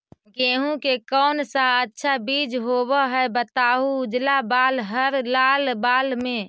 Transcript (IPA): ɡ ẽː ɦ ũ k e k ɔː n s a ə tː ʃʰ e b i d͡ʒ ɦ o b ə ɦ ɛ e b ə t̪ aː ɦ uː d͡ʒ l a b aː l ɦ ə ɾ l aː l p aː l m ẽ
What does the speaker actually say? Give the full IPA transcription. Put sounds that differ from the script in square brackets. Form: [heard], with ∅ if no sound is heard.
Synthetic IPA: ɡ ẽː ɦ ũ k e k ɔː n s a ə tː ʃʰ [a] b i d͡ʒ ɦ o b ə ɦ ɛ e b ə t̪ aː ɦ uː d͡ʒ l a b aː l ɦ ə ɾ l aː l [b] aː l m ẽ